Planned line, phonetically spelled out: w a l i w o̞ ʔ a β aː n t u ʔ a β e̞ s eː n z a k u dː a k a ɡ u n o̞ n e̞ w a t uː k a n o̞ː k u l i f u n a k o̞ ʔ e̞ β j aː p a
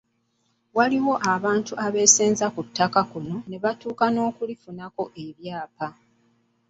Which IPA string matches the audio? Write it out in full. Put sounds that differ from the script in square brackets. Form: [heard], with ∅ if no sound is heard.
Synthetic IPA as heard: w a l i w o̞ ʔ a β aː n t u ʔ a β e̞ s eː n z a k u [tː] a k a [k] u n o̞ n e̞ [β] a t uː k a n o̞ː k u l i f u n a k o̞ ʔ e̞ β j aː p a